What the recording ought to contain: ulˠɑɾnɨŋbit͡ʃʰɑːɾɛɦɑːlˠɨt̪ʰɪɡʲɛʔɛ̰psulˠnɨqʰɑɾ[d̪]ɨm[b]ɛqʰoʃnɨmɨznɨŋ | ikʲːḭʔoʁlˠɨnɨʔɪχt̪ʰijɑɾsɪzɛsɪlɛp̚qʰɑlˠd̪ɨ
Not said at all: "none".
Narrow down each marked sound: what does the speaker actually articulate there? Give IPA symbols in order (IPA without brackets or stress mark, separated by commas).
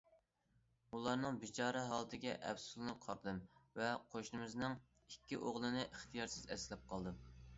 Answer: d̪, v